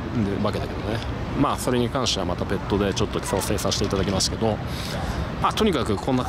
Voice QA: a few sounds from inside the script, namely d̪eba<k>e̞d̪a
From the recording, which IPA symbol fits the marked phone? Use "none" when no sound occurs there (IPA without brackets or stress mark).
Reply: k